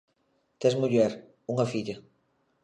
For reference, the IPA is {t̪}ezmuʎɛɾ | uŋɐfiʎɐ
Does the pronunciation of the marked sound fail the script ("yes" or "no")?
no